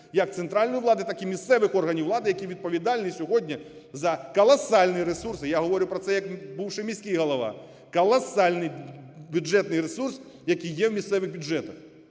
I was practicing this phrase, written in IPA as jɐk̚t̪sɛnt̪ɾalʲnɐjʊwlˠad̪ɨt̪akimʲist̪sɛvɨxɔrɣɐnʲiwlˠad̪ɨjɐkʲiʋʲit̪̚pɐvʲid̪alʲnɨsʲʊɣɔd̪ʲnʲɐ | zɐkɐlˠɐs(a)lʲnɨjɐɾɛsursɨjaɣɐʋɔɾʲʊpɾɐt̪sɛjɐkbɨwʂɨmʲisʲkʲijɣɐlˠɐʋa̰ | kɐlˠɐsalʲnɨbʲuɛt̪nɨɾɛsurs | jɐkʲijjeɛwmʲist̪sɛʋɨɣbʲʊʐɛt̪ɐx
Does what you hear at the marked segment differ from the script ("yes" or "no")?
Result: no